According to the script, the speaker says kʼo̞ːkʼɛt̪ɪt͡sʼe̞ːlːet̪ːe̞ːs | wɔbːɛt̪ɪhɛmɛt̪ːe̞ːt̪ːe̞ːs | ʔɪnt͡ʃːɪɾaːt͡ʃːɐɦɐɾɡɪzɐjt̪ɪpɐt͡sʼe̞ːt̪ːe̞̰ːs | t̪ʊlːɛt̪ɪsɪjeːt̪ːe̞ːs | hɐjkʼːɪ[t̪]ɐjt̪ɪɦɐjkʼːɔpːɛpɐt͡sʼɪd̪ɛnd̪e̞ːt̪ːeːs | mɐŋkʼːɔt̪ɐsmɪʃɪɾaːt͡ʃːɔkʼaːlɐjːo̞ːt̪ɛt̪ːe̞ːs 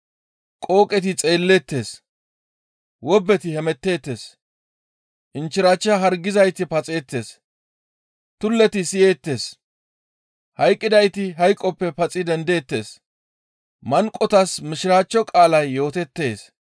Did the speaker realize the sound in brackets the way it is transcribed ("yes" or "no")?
no